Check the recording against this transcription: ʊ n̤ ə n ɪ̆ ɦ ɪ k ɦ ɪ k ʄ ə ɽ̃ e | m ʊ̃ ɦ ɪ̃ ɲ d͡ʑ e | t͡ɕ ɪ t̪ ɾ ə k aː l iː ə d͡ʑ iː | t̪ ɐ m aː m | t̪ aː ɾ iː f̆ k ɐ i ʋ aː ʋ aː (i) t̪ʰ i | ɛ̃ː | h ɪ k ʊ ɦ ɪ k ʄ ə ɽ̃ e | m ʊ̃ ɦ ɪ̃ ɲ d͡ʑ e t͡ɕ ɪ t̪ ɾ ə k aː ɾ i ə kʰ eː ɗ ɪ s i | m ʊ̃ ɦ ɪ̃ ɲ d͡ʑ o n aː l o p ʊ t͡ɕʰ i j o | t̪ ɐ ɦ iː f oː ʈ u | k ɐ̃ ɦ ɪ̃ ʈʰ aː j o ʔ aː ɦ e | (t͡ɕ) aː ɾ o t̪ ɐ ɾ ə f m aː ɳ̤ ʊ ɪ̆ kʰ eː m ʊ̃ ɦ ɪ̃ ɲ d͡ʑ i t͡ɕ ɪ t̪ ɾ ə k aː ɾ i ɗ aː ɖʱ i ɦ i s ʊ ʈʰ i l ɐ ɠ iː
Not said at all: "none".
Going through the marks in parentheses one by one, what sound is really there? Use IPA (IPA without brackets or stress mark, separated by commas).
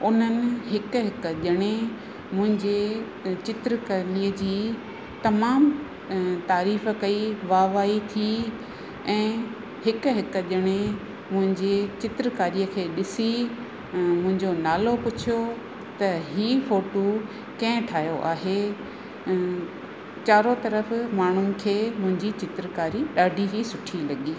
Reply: i, t͡ɕ